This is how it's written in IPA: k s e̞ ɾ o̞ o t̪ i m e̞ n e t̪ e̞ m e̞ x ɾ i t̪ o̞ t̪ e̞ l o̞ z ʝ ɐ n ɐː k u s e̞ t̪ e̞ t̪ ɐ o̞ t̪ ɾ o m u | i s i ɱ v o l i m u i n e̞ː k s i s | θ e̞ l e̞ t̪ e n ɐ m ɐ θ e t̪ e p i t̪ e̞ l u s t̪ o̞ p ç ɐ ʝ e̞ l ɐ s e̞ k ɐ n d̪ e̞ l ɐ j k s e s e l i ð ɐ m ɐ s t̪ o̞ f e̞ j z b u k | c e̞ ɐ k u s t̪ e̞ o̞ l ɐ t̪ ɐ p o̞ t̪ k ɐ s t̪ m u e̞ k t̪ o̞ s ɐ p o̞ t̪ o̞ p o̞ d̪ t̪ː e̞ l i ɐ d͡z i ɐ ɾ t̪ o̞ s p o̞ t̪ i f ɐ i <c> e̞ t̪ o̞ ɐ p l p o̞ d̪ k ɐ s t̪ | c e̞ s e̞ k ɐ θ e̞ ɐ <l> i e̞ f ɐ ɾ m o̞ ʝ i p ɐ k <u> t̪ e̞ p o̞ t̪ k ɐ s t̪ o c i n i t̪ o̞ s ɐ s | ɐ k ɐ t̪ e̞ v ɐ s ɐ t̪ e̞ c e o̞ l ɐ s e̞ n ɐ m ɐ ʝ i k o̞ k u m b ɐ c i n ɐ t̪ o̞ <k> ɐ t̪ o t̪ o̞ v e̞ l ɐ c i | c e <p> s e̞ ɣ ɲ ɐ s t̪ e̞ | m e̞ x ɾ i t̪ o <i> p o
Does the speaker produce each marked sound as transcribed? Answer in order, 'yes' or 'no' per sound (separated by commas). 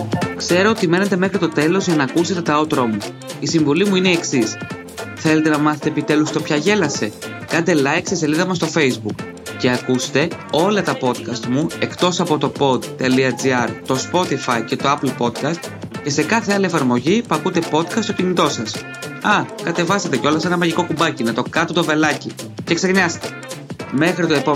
yes, yes, yes, yes, no, no